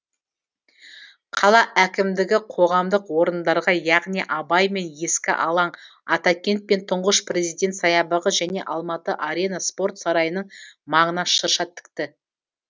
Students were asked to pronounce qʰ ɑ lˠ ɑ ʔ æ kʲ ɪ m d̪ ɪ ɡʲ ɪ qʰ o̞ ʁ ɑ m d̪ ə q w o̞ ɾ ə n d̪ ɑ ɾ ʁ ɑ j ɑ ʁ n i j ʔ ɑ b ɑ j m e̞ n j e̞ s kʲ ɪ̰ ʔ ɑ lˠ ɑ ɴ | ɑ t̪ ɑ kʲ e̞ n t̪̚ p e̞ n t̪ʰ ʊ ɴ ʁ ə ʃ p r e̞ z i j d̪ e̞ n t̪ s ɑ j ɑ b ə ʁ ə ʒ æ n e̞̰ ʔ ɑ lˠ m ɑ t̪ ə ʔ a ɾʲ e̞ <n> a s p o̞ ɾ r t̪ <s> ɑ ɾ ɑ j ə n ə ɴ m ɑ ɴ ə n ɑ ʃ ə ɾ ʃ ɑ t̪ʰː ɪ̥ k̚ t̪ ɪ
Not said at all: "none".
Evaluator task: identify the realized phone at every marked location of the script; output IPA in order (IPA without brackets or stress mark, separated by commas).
n, s